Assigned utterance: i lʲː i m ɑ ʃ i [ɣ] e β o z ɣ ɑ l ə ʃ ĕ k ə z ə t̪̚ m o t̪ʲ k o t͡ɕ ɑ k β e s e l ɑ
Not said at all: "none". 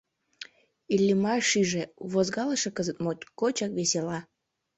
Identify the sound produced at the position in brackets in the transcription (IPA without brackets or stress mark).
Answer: ʒ